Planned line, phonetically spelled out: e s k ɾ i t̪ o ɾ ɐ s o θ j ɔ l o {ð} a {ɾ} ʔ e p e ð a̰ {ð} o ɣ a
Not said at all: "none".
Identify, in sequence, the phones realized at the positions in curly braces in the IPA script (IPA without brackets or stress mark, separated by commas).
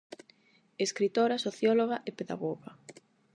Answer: ɣ, none, ɣ